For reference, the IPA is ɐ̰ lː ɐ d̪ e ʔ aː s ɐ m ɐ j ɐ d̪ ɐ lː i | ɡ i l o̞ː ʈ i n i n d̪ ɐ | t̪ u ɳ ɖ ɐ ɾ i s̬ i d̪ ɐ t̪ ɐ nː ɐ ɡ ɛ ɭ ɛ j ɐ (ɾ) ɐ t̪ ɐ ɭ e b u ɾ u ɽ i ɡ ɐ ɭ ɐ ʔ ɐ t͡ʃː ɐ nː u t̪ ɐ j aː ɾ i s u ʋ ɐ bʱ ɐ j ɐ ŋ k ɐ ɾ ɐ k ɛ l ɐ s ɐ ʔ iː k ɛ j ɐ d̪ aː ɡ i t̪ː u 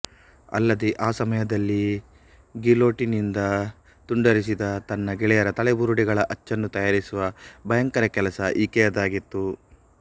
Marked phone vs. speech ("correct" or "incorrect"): correct